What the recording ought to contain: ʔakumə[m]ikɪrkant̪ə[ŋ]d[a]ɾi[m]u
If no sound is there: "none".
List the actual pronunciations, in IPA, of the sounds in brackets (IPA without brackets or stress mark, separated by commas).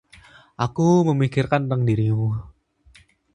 m, ŋ, i, m